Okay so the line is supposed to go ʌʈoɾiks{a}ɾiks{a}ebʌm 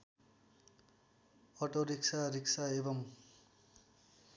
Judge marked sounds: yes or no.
yes, yes

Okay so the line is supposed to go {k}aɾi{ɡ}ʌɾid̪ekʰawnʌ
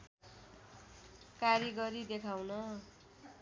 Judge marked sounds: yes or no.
yes, yes

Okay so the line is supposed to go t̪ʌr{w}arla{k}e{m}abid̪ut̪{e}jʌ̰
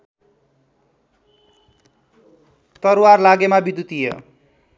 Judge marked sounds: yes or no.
yes, no, yes, no

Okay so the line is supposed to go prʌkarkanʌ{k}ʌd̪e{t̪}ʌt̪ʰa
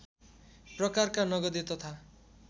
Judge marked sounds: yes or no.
no, yes

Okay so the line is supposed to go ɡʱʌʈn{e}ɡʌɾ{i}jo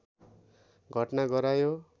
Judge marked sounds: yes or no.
no, no

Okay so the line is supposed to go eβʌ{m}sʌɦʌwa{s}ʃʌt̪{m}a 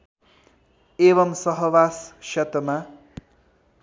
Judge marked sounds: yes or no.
yes, yes, yes

